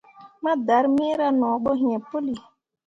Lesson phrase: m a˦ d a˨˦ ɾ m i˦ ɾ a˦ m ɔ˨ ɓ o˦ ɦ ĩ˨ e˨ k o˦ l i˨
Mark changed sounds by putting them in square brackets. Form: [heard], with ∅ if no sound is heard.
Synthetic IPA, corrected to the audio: m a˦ d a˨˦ ɾ m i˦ ɾ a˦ [n] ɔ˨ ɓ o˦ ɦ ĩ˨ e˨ [p] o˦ l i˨